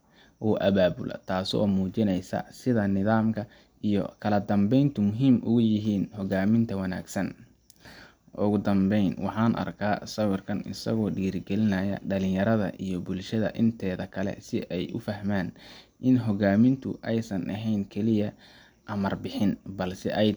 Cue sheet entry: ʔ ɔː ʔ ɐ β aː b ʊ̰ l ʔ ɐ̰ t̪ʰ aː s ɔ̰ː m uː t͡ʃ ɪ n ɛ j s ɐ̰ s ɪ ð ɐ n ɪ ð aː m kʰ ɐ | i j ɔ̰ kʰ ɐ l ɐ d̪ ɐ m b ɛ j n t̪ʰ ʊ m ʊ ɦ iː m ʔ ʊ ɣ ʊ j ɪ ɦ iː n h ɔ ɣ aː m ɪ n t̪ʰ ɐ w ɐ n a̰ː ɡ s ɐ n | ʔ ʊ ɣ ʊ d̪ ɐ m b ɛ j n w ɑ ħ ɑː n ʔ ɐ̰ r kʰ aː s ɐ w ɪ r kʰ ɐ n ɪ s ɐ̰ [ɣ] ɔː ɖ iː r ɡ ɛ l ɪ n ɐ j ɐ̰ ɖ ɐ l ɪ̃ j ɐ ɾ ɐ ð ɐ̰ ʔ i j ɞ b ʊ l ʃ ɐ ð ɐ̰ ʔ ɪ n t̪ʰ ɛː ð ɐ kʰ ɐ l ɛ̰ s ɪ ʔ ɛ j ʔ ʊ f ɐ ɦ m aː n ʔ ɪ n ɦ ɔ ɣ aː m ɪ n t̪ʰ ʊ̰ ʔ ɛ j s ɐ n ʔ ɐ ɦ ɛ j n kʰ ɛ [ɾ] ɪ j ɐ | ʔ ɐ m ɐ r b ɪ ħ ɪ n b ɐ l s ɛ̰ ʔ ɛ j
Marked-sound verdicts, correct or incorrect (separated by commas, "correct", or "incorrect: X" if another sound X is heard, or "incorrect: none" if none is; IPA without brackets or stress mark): correct, incorrect: l